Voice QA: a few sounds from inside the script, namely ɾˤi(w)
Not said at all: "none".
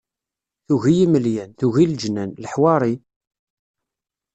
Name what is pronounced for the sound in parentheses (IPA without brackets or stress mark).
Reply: none